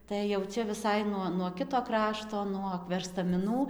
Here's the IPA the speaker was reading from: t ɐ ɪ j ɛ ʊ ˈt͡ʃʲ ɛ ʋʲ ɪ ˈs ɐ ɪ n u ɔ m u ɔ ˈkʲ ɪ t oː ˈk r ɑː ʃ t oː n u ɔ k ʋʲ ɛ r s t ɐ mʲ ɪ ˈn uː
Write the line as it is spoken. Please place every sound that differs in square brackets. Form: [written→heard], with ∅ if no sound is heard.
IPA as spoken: t ɐ ɪ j ɛ ʊ ˈt͡ʃʲ ɛ ʋʲ ɪ ˈs ɐ ɪ n u ɔ [m→n] u ɔ ˈkʲ ɪ t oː ˈk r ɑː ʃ t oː n u ɔ k ʋʲ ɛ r s t ɐ mʲ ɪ ˈn uː